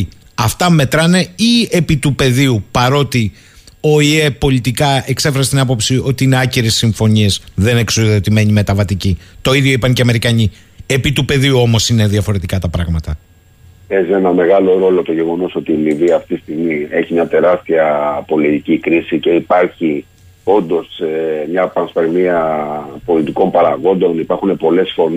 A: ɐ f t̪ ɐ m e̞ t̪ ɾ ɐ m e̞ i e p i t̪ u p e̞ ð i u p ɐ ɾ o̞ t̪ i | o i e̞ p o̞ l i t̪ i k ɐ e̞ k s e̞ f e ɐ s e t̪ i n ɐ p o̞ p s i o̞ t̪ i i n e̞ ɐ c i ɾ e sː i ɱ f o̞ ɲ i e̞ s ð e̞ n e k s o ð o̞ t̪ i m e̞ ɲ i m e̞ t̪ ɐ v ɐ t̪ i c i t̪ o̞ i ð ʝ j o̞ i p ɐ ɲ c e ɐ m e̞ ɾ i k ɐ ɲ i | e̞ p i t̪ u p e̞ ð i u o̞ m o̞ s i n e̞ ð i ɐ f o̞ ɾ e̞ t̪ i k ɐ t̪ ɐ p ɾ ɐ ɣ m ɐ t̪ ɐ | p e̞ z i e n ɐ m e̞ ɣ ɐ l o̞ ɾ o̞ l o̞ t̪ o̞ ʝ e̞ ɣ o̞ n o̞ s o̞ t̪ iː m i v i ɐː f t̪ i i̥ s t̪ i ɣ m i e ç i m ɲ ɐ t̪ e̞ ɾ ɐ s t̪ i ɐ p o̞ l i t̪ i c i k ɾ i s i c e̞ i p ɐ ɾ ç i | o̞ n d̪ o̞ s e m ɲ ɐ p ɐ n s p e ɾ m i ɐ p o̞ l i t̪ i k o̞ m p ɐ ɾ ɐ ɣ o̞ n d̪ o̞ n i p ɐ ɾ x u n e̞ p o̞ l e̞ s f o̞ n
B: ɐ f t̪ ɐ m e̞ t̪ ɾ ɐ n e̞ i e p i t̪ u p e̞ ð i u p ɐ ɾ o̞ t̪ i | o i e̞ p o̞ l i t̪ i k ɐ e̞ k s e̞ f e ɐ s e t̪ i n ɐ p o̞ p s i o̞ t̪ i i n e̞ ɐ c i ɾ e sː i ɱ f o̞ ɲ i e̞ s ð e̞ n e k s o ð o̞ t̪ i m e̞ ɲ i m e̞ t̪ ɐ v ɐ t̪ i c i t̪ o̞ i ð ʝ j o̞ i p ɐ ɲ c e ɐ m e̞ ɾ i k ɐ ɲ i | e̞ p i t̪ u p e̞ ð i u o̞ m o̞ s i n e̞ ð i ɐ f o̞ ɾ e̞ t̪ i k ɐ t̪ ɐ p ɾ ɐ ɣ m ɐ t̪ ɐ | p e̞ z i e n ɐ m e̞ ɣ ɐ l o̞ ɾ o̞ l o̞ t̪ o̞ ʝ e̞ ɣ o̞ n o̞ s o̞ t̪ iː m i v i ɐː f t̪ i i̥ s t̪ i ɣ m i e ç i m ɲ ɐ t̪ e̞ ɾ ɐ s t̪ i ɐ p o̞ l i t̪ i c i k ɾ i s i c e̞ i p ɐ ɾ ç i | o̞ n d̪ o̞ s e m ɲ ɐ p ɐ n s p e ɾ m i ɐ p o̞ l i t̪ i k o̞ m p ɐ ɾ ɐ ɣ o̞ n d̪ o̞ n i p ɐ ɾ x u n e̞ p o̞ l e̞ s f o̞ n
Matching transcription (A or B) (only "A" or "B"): B